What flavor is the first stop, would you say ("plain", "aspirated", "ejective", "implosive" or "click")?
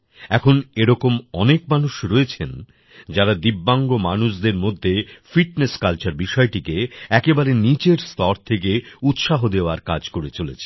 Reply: aspirated